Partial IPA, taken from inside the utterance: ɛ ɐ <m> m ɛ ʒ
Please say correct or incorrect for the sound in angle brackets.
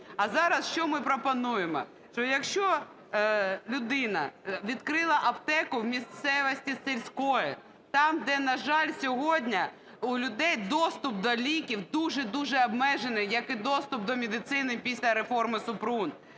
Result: incorrect